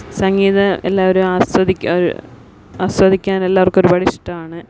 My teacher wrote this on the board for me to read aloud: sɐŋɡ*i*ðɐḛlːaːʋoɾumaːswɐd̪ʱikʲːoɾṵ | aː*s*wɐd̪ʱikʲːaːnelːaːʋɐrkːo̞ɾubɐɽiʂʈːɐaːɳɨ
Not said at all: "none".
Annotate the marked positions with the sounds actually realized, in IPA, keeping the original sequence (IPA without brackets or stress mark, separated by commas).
iː, s